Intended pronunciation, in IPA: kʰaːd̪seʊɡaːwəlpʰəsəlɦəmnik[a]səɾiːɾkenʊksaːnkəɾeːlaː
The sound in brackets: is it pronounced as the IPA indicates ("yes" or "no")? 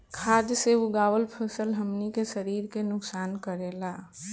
no